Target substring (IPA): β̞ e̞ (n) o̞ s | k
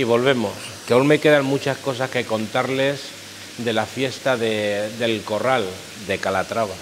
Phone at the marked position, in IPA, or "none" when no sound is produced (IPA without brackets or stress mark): m